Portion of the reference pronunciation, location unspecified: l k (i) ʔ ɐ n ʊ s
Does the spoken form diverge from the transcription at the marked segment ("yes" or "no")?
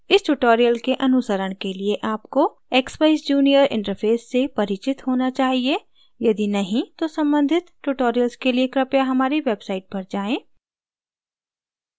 yes